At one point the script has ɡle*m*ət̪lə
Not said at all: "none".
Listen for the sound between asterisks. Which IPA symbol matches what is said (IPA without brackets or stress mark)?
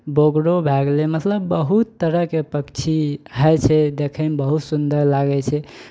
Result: m